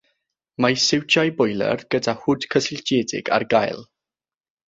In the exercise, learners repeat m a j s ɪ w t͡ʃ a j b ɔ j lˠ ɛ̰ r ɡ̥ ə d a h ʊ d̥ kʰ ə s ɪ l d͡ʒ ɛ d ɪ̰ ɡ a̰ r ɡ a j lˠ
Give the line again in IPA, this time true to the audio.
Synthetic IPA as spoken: m a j s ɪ w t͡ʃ a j b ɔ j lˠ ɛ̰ r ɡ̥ ə d a h ʊ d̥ kʰ ə s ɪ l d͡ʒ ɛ d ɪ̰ ɡ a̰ r ɡ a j lˠ